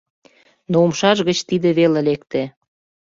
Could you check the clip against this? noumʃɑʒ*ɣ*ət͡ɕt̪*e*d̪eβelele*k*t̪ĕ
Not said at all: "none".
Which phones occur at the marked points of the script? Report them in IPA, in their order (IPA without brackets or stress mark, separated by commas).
ɣ, i, k